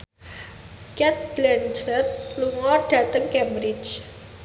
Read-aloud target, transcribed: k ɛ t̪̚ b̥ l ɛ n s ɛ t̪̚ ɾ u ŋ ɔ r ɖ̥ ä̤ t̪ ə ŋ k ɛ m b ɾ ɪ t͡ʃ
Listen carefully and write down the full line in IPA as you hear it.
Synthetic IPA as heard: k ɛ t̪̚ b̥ l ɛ n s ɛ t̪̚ l u ŋ ɔ r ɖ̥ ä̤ t̪ ə ŋ k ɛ m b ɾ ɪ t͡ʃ